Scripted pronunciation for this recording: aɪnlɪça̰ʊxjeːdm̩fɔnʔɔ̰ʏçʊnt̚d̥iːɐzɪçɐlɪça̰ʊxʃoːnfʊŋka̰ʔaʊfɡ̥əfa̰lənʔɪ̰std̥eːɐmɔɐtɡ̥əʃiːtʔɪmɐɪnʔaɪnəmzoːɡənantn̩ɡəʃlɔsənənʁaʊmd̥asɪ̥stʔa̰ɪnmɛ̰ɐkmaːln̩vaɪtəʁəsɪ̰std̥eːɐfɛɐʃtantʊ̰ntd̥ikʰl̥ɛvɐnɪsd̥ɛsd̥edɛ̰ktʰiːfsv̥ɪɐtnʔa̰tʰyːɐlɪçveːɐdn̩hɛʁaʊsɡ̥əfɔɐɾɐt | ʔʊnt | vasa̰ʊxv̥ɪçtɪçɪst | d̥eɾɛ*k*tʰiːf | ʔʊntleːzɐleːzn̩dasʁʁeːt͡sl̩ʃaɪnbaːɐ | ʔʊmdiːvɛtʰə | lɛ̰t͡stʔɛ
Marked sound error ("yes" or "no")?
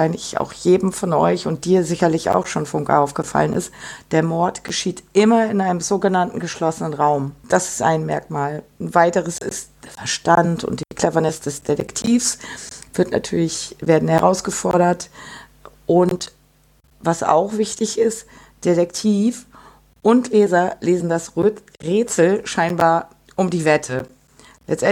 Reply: no